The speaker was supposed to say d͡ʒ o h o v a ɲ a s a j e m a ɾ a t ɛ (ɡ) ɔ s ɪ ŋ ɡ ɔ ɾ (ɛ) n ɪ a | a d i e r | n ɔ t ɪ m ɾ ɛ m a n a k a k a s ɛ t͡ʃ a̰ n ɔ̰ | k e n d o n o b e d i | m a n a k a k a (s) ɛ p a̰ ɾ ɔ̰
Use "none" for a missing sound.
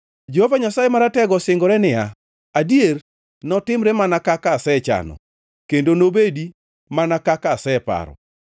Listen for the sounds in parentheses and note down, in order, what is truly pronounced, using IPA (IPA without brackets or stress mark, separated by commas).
ɡ, ɛ, s